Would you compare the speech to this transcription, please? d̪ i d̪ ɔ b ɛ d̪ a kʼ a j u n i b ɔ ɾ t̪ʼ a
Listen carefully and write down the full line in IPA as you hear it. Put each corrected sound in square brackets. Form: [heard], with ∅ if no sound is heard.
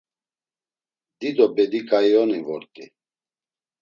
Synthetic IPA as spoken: d̪ i d̪ ɔ b ɛ d̪ [i] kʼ a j [ɔ] n i [v] ɔ ɾ t̪ʼ [i]